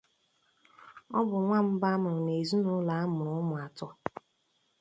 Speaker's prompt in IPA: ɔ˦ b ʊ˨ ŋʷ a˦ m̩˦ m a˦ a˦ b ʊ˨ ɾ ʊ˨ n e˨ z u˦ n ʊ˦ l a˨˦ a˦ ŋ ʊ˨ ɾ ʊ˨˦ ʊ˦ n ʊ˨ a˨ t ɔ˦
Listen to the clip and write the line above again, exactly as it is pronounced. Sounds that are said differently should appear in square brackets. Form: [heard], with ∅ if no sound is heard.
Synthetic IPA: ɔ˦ b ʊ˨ ŋʷ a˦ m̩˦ [b] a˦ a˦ [m] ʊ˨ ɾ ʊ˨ n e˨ z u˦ n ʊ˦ l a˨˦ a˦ [m] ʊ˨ ɾ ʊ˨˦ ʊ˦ [m] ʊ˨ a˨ t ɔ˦